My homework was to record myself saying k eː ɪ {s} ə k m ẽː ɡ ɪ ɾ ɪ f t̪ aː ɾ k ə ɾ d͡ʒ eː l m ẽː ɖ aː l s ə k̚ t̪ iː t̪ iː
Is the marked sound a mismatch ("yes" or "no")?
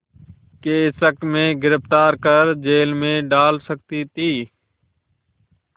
no